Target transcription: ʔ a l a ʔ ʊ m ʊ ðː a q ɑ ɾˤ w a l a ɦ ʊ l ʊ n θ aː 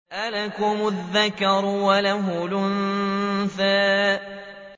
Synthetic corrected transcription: ʔ a l a k ʊ m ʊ ðː a k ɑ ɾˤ w a l a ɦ ʊ l ʊ n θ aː